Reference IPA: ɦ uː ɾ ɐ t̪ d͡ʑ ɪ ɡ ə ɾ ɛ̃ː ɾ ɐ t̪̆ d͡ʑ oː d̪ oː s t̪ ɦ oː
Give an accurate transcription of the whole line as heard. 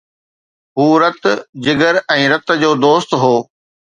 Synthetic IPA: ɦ uː ɾ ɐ t̪ d͡ʑ ɪ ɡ ə ɾ ɛ̃ː ɾ ɐ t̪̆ d͡ʑ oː d̪ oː s t̪ ɦ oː